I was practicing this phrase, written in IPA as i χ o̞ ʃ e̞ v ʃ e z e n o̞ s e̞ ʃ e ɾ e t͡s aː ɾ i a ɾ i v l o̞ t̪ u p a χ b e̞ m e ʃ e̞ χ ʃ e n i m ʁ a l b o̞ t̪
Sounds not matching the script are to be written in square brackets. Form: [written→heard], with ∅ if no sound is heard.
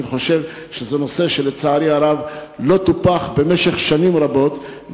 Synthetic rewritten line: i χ o̞ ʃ e̞ v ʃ e z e n o̞ s e̞ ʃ e [ɾ→l] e t͡s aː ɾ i a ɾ [i→a] v l o̞ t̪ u p a χ b e̞ m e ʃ e̞ χ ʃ [e→a] n i m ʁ a [l→∅] b o̞ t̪